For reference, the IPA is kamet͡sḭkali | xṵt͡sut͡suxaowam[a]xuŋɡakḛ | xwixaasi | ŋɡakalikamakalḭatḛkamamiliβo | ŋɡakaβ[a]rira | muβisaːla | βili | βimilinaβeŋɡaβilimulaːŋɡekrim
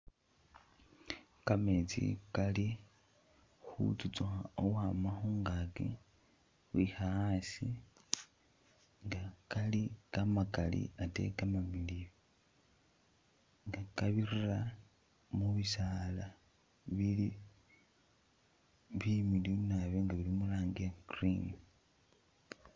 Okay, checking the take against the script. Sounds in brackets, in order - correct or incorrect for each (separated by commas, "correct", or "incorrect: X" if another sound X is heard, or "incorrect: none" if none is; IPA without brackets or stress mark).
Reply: correct, incorrect: i